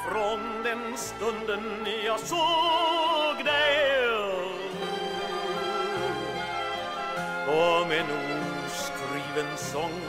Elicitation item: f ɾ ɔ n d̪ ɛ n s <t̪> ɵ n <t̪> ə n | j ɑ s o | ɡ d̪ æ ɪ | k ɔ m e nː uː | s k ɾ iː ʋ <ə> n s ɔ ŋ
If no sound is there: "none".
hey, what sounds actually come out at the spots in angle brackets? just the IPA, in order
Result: t̪, d̪, ə

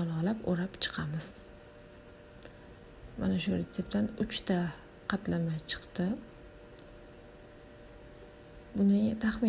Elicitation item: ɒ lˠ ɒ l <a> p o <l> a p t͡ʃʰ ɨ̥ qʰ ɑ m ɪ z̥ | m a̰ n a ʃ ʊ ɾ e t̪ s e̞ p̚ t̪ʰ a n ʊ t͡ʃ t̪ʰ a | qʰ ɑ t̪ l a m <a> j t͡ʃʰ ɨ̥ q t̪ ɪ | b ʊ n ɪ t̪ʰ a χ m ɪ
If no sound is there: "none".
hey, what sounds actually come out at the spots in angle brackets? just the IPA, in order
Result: a, ɾ, a

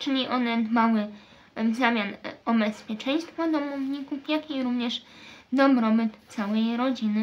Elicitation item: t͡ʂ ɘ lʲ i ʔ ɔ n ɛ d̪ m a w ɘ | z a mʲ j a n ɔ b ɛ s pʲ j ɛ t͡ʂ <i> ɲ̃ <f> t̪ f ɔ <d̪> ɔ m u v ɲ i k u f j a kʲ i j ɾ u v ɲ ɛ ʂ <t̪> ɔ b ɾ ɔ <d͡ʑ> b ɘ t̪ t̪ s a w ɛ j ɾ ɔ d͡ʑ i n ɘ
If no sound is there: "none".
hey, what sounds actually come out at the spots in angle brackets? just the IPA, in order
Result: ɛ, s, d̪, d̪, none

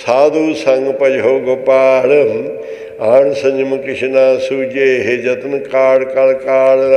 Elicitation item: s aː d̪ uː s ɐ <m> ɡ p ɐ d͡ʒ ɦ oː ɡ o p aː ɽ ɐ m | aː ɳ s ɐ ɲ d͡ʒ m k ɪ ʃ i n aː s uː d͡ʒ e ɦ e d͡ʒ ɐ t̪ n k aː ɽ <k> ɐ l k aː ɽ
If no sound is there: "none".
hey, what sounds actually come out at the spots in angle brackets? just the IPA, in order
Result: ŋ, k

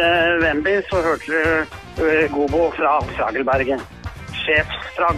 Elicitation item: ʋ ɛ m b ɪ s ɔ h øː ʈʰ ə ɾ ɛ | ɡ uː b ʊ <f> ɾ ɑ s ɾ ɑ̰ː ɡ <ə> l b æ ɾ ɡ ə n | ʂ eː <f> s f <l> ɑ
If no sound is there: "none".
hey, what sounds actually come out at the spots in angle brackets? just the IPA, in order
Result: f, ə, f, ɾ

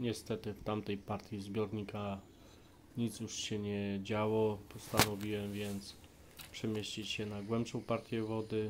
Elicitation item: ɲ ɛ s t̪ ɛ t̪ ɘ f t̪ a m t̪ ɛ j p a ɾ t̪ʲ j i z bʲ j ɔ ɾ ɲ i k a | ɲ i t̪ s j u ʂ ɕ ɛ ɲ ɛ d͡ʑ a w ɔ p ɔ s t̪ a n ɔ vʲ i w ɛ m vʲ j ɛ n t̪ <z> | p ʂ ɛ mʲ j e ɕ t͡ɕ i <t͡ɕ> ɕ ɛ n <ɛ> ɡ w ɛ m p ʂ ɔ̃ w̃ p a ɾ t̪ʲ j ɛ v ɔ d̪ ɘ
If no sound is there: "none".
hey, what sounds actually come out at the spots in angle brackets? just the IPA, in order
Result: s, t͡ɕ, a

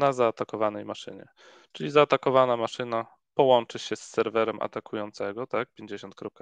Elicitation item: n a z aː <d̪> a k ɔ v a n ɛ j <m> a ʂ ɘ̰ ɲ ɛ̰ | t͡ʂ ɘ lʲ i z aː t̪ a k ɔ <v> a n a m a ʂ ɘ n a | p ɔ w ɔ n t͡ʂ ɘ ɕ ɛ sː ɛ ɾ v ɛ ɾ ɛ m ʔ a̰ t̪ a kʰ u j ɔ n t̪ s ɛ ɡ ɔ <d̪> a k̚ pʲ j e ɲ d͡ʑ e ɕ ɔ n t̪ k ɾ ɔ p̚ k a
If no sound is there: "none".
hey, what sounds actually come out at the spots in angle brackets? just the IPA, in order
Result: t̪, m, v, t̪

